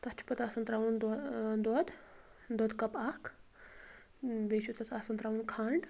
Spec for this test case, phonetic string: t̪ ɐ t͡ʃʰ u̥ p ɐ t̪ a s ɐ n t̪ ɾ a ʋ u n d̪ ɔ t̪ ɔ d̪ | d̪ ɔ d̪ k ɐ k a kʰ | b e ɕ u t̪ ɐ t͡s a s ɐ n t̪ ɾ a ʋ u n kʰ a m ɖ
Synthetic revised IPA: t̪ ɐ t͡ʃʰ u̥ p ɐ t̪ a s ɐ n t̪ ɾ a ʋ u n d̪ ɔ d̪ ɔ d̪ | d̪ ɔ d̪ k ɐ p a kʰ | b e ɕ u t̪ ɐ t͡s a s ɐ n t̪ ɾ a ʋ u n kʰ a ɳ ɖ